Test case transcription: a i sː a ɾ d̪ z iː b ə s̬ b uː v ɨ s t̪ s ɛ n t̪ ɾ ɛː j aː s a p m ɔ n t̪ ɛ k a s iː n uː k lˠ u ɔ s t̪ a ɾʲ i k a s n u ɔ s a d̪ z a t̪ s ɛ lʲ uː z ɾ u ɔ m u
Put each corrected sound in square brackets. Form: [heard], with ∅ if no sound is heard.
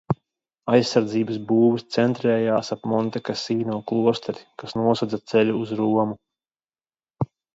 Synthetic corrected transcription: a [j] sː a ɾ d̪ z iː b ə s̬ b uː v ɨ s t̪ s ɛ n t̪ ɾ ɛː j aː s a p m ɔ n t̪ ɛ k a s iː n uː k lˠ u ɔ s t̪ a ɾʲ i k a s n u ɔ s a d̪ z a t̪ s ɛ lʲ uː z ɾ u ɔ m u